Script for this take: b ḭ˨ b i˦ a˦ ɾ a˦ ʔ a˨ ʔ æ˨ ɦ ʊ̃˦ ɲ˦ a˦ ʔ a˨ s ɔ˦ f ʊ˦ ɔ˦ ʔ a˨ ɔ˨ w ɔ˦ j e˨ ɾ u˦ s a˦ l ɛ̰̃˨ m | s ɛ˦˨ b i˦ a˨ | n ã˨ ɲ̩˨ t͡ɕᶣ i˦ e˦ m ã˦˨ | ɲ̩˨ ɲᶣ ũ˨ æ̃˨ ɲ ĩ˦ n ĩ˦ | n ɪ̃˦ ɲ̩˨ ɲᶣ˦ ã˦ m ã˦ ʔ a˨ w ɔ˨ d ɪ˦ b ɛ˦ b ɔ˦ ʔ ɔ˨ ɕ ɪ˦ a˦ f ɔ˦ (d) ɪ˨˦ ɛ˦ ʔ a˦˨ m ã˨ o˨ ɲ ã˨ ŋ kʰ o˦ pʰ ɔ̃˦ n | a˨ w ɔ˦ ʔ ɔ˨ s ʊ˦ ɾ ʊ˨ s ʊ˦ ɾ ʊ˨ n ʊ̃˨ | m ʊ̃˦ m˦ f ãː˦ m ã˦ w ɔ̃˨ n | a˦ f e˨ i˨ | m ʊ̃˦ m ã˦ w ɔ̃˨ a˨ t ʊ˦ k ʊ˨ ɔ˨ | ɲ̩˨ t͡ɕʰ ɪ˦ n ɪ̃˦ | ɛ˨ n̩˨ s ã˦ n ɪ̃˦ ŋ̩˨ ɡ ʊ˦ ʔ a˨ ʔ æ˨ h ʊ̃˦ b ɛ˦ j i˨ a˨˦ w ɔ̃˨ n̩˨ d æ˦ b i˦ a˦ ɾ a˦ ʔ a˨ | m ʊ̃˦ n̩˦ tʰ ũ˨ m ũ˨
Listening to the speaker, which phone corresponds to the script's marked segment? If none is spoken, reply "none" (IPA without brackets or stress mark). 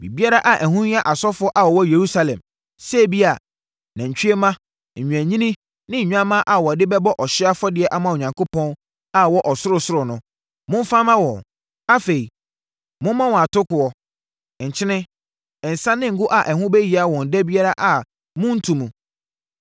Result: d